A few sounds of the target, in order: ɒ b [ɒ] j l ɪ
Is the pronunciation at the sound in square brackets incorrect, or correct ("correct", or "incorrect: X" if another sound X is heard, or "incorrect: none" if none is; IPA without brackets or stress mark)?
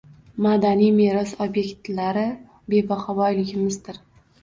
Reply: correct